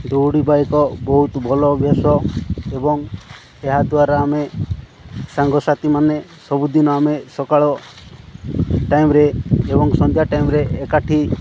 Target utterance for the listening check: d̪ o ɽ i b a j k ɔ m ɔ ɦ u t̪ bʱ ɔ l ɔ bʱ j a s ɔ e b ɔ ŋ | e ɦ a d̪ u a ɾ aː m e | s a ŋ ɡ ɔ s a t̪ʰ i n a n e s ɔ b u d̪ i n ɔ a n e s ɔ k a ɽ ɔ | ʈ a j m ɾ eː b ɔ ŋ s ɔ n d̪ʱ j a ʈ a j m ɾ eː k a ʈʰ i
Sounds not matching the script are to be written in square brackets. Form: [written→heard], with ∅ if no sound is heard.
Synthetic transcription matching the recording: d̪ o ɽ i b a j k ɔ [m→b] ɔ ɦ u t̪ bʱ ɔ l ɔ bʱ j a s ɔ e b ɔ ŋ | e ɦ a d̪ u a ɾ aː m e | s a ŋ ɡ ɔ s a [t̪ʰ→t̪] i [n→m] a n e s ɔ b u d̪ i n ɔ a [n→m] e s ɔ k a [ɽ→ɭ] ɔ | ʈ a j m ɾ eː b ɔ ŋ s ɔ n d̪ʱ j a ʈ a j m ɾ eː k a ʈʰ i